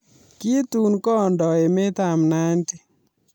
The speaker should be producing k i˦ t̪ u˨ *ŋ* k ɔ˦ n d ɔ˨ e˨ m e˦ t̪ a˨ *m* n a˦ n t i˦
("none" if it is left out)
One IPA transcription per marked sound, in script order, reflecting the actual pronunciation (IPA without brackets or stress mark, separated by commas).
n, m